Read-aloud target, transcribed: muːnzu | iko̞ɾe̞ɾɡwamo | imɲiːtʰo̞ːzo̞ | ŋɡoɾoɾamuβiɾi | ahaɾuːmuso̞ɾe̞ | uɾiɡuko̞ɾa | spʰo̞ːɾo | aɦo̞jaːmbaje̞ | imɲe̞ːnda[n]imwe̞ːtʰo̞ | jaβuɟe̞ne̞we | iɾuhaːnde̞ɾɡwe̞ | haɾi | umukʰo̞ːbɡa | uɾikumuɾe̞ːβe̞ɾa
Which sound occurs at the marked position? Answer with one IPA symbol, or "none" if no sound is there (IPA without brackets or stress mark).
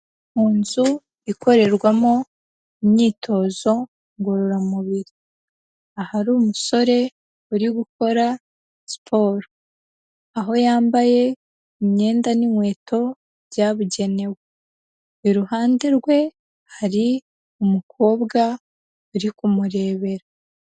n